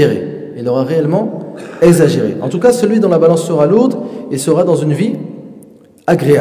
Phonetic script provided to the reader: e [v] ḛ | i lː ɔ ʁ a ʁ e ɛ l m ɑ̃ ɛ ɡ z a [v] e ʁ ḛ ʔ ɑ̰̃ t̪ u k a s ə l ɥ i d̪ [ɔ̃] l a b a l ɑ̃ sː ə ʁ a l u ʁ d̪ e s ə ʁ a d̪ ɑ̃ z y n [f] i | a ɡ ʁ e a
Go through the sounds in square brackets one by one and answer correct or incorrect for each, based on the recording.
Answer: incorrect, incorrect, correct, incorrect

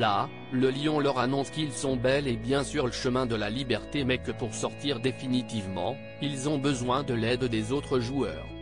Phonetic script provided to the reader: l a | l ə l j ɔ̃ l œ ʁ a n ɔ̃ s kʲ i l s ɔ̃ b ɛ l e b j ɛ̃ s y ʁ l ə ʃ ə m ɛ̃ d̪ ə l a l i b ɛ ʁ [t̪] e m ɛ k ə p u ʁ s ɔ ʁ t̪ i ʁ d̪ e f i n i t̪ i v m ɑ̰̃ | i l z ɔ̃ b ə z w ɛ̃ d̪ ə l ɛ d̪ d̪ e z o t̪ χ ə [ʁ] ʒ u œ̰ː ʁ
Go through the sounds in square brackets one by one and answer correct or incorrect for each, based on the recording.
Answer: correct, incorrect

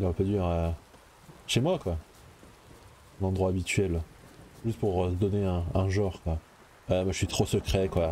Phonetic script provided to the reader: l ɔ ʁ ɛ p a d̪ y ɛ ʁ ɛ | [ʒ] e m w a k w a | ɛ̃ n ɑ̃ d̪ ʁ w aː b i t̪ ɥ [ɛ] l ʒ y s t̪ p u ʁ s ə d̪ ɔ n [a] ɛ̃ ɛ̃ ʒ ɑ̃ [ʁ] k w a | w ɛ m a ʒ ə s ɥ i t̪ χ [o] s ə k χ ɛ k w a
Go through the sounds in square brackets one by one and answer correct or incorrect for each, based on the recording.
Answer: incorrect, correct, incorrect, correct, correct

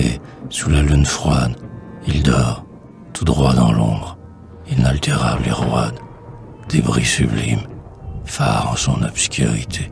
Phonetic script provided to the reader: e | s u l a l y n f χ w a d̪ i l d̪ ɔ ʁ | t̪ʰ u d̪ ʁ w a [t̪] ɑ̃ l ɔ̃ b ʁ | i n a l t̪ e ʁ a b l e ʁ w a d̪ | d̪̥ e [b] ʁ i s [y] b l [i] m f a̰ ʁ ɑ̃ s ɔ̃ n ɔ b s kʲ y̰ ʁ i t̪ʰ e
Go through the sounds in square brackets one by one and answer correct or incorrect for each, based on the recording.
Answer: incorrect, correct, correct, correct

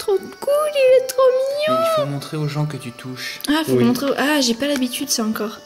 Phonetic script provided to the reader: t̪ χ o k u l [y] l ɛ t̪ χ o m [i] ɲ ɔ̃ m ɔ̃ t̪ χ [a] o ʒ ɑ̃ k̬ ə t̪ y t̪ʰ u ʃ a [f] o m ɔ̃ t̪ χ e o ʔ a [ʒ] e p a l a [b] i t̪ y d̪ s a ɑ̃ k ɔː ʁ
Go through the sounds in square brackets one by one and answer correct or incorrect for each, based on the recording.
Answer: incorrect, correct, incorrect, correct, correct, correct

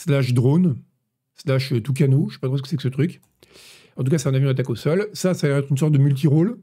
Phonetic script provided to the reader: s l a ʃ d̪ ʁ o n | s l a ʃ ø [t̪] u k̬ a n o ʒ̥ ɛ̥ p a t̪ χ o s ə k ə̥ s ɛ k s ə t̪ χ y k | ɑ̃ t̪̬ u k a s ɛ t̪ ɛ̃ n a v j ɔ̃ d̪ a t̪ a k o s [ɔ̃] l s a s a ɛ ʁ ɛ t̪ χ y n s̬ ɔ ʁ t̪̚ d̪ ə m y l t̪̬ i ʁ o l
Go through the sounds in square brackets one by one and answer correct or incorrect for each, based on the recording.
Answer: correct, incorrect

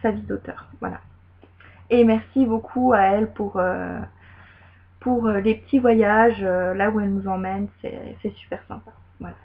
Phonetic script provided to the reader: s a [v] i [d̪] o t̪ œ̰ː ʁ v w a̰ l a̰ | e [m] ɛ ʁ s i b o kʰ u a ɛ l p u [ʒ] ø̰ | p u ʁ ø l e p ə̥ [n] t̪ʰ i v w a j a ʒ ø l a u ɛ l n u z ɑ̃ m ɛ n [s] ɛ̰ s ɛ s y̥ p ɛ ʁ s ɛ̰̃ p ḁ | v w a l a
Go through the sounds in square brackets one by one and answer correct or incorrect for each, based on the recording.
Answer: correct, correct, correct, incorrect, incorrect, correct

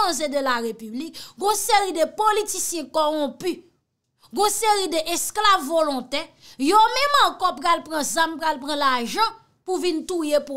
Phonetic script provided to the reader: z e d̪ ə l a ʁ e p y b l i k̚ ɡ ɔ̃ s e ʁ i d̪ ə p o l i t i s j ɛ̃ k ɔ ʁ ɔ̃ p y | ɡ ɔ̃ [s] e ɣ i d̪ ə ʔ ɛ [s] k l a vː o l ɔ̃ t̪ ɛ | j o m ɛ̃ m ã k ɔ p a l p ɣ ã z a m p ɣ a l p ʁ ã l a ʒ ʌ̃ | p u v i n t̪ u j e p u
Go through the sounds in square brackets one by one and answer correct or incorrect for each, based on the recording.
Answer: correct, correct

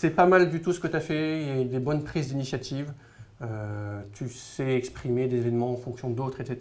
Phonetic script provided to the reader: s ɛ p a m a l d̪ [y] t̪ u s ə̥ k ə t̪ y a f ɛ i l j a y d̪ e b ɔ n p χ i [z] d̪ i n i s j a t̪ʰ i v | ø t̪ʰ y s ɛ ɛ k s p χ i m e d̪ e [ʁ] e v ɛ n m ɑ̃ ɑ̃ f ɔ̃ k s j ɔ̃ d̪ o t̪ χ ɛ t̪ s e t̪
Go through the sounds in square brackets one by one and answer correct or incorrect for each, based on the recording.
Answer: correct, correct, incorrect

